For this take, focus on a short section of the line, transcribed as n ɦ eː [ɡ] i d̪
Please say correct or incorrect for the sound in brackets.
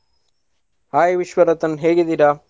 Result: correct